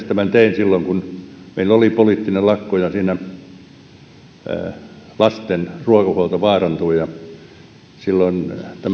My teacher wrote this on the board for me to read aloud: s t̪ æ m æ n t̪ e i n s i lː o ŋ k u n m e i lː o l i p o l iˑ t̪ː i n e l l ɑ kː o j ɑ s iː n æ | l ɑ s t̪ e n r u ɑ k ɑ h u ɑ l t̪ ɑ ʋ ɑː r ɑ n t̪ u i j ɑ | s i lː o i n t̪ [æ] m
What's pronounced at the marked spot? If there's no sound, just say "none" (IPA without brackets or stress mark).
æ